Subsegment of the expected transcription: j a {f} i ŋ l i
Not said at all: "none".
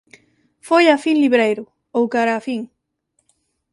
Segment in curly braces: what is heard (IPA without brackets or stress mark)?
f